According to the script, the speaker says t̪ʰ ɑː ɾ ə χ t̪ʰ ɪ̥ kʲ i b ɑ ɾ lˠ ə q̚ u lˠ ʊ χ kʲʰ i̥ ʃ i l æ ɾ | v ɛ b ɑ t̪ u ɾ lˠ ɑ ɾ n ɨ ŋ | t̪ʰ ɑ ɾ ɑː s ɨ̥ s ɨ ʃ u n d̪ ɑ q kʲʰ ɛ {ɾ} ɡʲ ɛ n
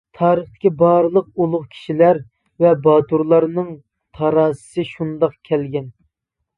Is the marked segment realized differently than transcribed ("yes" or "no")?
yes